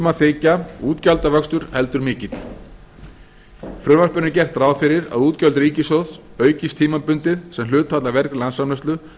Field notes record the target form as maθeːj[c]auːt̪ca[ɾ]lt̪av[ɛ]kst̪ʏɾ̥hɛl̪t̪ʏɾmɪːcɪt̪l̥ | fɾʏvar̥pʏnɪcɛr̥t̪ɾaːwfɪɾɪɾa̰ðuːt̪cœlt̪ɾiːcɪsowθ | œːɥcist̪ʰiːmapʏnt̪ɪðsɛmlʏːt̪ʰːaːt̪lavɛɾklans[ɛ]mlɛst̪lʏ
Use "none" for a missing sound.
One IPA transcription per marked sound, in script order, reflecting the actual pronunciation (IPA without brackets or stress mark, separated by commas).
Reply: c, none, œ, a